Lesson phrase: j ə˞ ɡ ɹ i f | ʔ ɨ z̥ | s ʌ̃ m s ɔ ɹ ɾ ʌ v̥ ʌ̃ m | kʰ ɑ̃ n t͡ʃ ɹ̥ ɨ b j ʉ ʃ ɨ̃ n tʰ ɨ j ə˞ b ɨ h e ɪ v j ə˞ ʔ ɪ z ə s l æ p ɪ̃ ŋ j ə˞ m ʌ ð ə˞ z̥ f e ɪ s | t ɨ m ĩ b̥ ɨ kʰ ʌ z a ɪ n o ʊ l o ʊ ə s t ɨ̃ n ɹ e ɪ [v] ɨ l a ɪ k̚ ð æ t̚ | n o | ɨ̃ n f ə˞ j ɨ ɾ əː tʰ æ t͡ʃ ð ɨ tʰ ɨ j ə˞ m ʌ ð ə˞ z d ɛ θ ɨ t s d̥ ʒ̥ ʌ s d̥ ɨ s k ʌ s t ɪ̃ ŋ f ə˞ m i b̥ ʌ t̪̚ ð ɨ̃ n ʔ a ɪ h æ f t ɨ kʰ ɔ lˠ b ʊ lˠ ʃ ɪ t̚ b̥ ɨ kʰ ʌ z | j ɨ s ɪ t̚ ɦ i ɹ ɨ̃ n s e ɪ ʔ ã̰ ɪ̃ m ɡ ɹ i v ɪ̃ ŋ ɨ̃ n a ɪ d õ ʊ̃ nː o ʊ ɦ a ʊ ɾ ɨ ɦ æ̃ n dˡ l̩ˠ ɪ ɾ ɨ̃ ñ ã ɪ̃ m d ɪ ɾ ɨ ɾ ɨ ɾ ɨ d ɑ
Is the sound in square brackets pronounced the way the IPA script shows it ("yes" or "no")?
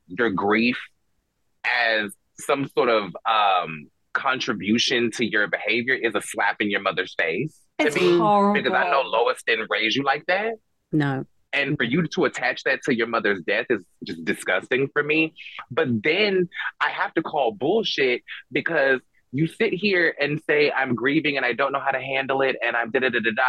no